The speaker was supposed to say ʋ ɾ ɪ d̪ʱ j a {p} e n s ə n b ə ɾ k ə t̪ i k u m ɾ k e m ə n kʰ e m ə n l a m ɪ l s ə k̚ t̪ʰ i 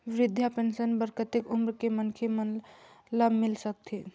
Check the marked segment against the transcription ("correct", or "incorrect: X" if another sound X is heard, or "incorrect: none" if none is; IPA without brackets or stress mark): correct